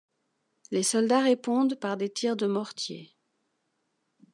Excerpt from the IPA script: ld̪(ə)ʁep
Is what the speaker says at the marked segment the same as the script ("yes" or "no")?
no